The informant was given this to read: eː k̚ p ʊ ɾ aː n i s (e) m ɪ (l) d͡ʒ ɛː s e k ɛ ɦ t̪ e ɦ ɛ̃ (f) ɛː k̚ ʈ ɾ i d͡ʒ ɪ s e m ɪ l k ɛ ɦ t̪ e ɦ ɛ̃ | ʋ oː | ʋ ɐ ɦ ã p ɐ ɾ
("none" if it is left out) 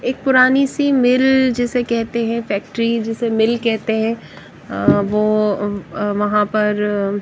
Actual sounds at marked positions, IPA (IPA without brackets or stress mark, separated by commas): i, l, f